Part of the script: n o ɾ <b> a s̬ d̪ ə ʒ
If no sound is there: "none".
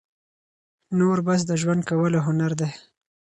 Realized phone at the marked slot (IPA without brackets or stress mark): b